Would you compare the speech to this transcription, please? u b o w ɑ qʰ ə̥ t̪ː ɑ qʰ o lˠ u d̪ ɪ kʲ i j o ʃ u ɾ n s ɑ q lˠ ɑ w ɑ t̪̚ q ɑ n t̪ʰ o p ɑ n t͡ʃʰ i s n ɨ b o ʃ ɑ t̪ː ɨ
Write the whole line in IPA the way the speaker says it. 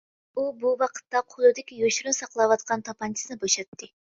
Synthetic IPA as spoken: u b u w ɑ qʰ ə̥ t̪ː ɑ qʰ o lˠ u d̪ ɪ kʲ i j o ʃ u ɾ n s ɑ q lˠ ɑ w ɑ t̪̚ q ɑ n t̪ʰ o p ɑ n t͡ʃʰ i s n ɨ b o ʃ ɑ t̪ː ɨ